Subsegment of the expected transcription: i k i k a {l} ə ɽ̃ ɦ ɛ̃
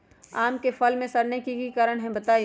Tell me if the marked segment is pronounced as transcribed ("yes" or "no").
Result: no